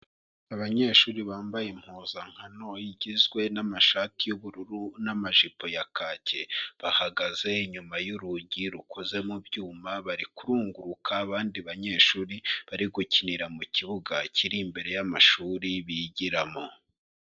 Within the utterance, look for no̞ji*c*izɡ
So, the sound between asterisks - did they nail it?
no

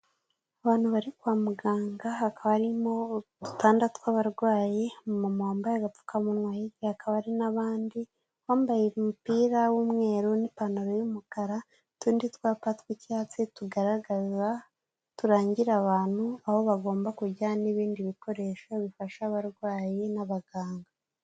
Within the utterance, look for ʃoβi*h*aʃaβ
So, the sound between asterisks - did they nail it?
no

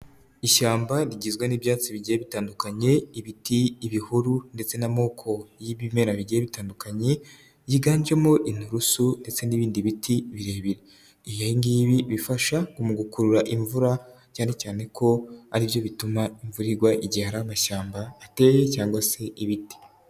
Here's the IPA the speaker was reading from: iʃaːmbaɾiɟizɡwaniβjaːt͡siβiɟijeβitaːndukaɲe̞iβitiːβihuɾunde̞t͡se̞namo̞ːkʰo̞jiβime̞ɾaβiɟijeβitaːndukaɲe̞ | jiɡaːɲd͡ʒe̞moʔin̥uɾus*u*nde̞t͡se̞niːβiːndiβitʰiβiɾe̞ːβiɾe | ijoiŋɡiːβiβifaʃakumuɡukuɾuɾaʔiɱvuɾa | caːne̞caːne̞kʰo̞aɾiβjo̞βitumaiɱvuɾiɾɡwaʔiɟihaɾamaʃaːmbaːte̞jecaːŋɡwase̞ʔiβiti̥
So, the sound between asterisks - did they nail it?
yes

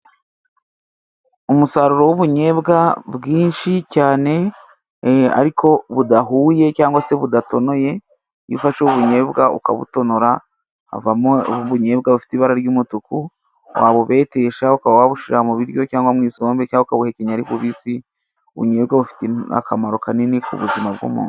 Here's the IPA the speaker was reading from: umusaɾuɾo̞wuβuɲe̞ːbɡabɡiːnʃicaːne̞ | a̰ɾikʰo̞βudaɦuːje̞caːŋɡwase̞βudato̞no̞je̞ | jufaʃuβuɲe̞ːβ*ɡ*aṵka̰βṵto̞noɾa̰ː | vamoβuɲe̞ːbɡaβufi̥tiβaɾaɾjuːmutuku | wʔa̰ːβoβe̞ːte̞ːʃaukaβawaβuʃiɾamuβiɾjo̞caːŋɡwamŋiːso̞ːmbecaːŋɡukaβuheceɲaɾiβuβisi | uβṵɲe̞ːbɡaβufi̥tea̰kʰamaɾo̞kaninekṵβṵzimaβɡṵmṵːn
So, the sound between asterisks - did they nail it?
yes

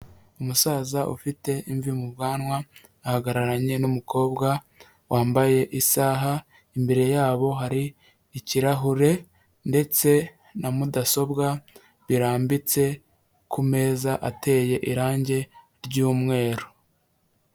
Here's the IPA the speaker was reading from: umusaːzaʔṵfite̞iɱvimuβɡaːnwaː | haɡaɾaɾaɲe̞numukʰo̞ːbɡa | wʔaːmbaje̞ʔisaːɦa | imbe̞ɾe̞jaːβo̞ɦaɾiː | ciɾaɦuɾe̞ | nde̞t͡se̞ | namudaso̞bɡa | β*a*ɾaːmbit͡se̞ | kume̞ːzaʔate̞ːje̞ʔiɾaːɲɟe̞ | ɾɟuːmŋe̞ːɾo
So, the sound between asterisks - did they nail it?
no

